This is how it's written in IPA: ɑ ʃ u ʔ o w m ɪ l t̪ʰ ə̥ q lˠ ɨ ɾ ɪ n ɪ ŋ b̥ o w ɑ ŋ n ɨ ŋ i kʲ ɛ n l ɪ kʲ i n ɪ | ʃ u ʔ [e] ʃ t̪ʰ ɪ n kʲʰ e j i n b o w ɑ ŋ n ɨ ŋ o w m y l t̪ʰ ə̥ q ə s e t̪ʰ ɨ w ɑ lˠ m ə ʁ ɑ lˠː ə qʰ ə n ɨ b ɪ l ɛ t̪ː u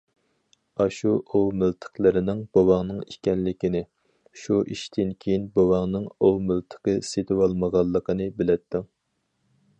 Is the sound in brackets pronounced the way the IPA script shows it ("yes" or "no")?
no